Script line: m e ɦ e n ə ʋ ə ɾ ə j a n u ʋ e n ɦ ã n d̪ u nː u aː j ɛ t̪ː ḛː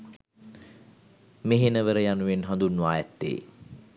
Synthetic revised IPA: m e ɦ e n ə ʋ ə ɾ ə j a n u ʋ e n ɦ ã n d̪ u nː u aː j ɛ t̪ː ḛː